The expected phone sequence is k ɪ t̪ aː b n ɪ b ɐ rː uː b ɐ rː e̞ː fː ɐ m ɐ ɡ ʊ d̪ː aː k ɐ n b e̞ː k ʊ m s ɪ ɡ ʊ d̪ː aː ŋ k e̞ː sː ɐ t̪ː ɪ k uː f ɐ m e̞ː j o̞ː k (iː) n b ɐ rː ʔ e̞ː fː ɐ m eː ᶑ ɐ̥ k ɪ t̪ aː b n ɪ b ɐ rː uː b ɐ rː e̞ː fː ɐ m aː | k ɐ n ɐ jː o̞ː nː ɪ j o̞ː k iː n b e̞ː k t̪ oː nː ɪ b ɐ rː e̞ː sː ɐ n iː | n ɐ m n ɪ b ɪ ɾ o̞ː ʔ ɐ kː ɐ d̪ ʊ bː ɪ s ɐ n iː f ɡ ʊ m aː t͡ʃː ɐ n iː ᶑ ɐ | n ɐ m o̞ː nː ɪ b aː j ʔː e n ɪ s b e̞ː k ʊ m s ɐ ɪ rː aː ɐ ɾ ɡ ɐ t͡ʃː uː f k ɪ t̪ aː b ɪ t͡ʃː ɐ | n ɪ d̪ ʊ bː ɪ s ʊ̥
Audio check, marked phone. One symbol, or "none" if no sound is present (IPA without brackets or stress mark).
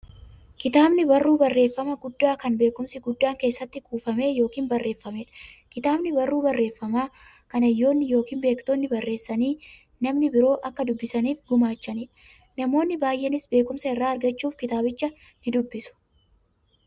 iː